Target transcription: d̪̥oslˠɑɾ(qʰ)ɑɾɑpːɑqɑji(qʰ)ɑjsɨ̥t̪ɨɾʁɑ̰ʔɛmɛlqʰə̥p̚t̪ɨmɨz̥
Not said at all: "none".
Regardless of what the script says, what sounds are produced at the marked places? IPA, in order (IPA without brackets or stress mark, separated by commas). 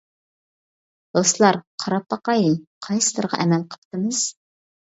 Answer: qʰ, qʰ